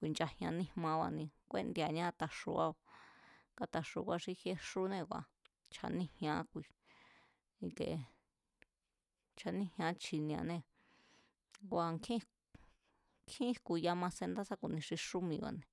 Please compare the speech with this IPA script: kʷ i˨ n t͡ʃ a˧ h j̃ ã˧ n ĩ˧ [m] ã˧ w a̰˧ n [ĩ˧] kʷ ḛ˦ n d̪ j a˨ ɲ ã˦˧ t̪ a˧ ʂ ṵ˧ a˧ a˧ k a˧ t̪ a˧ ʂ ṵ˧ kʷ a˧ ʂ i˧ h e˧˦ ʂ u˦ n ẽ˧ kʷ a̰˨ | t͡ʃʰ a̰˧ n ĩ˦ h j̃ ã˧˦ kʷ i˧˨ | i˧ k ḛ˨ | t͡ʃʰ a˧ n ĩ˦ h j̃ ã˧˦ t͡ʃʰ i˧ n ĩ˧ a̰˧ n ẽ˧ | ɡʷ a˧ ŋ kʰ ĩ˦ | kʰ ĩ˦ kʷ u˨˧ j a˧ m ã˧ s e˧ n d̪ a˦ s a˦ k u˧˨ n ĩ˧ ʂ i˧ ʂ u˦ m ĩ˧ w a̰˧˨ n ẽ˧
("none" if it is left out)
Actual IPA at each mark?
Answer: m, ĩ˧

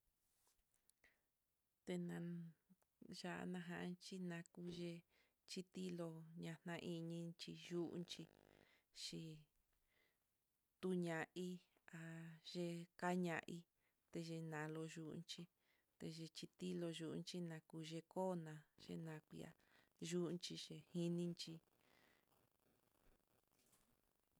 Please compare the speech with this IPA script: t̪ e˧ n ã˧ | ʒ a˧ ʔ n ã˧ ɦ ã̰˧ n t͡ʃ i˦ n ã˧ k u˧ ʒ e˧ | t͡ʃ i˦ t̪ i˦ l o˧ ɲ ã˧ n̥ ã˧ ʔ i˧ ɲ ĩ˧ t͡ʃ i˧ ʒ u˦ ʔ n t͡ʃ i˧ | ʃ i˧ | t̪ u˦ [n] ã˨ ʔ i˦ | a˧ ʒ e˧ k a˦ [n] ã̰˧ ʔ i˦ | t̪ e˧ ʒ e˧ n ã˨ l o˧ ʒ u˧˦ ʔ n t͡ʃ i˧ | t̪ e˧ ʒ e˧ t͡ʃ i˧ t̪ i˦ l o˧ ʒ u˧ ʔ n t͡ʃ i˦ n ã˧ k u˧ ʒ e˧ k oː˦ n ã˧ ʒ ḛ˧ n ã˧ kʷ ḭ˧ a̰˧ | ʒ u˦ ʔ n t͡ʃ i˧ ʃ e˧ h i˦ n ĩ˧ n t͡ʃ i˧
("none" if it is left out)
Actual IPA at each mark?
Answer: ɲ, ɲ

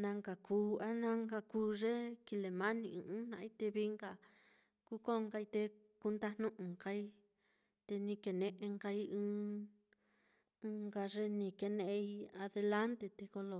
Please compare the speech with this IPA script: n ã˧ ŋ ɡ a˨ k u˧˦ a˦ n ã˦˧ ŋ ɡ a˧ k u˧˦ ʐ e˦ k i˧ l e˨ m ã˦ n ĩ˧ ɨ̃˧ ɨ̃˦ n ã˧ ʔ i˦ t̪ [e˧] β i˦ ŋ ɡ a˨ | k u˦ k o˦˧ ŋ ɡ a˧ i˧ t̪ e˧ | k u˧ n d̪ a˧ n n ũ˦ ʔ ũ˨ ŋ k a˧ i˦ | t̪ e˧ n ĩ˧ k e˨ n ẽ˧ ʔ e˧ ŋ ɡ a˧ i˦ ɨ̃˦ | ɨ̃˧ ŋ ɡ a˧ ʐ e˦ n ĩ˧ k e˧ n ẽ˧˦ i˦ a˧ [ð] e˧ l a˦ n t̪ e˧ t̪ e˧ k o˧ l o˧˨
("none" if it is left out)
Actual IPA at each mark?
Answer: e˧, ð

